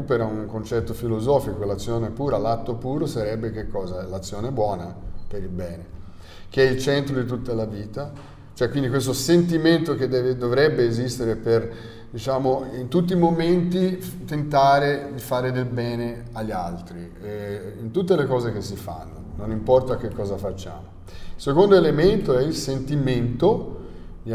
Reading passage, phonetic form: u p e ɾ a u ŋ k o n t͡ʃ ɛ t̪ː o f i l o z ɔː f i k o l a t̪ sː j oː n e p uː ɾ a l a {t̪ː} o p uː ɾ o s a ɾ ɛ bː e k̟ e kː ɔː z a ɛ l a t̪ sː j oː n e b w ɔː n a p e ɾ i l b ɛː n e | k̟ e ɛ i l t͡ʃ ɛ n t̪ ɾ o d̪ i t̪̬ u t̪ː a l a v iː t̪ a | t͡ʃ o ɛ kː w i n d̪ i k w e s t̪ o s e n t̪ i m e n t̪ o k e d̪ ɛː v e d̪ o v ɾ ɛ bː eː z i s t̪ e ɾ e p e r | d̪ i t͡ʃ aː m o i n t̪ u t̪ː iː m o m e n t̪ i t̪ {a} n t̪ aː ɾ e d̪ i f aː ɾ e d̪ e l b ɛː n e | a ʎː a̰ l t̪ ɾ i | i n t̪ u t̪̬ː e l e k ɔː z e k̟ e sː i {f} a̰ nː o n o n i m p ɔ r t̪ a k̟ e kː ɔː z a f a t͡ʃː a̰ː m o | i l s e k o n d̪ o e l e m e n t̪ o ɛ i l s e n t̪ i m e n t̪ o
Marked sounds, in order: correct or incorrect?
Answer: correct, incorrect, correct

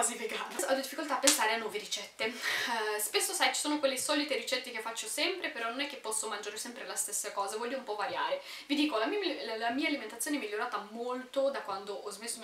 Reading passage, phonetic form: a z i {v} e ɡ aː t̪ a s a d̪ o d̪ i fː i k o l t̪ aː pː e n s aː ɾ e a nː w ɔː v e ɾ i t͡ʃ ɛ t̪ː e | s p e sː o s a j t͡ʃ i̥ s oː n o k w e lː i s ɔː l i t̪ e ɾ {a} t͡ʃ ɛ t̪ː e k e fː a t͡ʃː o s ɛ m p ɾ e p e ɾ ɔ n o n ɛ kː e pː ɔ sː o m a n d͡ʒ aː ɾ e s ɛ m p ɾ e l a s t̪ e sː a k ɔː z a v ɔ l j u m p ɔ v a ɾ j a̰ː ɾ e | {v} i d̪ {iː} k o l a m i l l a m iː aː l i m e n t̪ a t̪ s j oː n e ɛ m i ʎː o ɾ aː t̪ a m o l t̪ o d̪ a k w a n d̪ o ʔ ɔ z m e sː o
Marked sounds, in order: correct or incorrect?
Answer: correct, incorrect, correct, correct

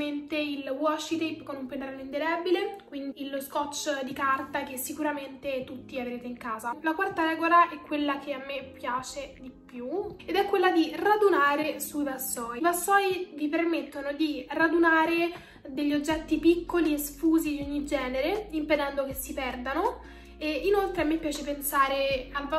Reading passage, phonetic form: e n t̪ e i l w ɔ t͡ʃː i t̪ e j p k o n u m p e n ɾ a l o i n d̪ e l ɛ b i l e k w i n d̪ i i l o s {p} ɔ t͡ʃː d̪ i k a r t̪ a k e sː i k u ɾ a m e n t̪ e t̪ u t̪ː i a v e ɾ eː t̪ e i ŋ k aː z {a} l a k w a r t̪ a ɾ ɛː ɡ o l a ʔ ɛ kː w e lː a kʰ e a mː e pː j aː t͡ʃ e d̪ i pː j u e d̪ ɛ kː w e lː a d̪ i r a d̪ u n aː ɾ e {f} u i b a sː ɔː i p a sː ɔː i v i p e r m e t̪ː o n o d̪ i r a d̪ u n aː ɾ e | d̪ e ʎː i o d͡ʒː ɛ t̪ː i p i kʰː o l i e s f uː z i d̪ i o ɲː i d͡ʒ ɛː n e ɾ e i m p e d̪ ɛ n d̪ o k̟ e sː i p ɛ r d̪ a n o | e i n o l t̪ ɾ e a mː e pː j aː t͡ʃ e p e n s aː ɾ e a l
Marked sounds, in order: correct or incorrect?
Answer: incorrect, correct, incorrect

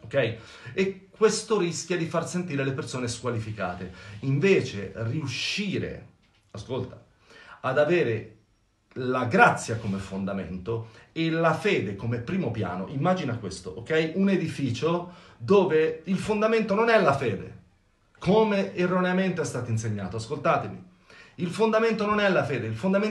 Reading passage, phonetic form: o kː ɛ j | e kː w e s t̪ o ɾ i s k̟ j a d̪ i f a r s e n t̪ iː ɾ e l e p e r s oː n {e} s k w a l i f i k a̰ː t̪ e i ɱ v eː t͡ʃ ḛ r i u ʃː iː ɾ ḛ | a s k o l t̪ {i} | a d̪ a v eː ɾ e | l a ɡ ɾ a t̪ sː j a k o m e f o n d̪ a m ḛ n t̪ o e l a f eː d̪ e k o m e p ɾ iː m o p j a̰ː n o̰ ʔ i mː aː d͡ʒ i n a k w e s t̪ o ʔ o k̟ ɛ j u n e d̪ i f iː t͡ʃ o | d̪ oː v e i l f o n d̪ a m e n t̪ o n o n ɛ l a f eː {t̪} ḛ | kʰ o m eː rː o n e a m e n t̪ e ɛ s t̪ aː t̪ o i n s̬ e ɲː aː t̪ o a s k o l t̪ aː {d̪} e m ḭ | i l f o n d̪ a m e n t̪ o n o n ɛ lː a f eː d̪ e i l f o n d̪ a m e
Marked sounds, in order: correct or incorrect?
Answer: correct, incorrect, incorrect, incorrect

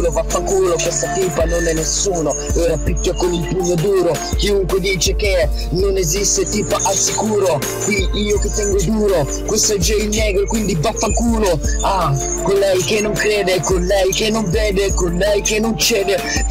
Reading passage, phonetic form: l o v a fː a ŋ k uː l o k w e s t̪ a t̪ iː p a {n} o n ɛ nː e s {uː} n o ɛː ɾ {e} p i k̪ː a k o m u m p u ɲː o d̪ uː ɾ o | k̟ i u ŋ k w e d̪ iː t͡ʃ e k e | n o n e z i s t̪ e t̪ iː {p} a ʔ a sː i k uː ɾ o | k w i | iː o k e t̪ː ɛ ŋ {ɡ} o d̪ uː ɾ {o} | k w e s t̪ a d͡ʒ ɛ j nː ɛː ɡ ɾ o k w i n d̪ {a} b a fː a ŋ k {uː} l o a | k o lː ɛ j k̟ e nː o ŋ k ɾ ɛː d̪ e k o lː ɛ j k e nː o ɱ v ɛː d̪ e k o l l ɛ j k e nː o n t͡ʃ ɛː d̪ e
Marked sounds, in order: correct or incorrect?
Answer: correct, correct, incorrect, correct, correct, correct, incorrect, correct

